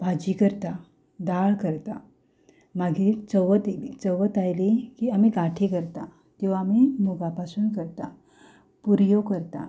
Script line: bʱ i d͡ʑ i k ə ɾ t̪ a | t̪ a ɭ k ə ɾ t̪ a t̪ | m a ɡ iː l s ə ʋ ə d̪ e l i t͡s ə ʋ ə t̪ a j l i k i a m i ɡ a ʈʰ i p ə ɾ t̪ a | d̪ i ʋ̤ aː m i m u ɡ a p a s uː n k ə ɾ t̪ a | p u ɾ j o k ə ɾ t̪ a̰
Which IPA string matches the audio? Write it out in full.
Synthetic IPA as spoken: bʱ a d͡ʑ i k ə ɾ t̪ a | d̪ a ɭ k ə ɾ t̪ a | m a ɡ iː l t͡s ə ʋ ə t̪ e l i t͡s ə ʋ ə t̪ a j l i k i a m i ɡ a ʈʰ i k ə ɾ t̪ a | t̪ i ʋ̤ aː m i m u ɡ a p a s uː n k ə ɾ t̪ a | p u ɾ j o k ə ɾ t̪ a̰